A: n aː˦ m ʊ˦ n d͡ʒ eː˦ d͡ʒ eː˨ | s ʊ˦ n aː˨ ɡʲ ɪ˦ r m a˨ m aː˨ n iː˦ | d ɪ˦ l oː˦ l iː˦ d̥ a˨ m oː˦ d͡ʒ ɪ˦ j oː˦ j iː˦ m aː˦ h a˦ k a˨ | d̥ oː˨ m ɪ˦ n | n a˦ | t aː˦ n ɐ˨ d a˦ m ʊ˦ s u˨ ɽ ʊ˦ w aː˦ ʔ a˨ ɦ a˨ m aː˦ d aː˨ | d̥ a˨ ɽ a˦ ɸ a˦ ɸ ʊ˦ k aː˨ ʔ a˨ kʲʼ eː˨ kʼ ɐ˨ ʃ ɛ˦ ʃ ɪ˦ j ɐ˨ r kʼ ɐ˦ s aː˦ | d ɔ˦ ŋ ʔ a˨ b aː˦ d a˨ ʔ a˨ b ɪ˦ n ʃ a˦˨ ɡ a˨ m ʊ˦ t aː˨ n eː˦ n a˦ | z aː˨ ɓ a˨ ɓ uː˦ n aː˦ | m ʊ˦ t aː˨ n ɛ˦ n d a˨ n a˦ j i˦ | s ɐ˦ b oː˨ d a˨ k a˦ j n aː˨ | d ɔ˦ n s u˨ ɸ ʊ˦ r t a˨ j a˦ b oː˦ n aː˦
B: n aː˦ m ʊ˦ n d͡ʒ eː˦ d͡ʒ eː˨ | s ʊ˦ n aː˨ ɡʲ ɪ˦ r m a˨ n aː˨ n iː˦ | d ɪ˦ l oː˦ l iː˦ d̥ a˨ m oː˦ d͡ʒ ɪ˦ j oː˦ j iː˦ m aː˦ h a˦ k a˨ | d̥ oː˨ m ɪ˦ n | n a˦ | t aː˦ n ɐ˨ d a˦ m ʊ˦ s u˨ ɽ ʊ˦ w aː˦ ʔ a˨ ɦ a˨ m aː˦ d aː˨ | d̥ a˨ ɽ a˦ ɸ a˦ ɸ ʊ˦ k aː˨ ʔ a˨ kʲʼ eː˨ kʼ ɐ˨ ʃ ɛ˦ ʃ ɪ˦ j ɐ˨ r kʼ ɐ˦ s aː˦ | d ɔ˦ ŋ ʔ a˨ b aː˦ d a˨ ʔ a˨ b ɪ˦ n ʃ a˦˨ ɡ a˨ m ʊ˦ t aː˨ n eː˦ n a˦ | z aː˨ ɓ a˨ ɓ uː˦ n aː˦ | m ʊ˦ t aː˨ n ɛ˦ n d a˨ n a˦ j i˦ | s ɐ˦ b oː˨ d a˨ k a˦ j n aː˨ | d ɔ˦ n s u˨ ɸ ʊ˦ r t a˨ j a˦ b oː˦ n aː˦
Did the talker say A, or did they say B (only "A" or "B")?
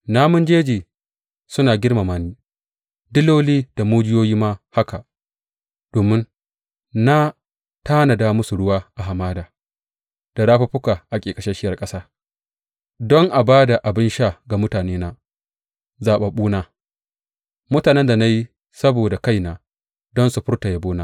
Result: A